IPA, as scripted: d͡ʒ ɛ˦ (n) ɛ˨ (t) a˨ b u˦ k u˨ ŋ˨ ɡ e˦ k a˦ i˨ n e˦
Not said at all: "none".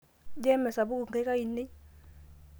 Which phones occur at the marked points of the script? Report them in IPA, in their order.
m, s

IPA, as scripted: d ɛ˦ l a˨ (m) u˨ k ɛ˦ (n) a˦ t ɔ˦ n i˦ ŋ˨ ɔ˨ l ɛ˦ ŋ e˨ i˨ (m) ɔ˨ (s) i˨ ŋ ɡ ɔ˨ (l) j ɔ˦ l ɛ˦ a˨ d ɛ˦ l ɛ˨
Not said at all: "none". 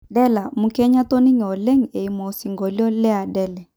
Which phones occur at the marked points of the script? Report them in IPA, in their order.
m, ɲ, m, s, l

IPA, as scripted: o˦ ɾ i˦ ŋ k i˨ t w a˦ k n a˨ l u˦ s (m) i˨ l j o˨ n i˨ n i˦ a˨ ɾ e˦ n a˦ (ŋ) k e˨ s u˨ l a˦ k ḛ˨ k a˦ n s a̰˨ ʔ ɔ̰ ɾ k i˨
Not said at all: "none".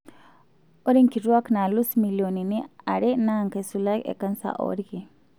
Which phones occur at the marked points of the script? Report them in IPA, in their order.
m, ŋ

